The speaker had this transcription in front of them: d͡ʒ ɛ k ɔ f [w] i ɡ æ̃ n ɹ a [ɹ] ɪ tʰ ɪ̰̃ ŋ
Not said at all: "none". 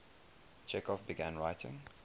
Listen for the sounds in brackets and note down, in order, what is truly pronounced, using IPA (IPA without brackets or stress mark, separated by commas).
b, none